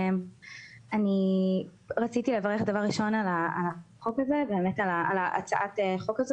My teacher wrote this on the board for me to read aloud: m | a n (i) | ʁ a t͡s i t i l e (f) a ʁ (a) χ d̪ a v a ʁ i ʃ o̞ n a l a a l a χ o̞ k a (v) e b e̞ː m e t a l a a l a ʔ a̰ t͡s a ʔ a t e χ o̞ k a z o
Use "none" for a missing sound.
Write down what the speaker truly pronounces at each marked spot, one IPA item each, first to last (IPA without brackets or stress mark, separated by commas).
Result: i, v, e, z